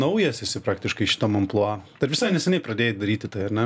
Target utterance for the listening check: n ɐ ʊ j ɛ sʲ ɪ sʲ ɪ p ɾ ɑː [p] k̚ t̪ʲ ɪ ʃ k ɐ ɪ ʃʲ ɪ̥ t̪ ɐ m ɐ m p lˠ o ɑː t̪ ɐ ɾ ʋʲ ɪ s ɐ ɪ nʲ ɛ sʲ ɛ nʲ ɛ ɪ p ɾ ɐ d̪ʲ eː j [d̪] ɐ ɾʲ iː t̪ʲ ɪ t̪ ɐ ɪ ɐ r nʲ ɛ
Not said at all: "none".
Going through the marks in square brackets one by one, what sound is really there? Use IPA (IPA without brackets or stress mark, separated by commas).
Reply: none, d̪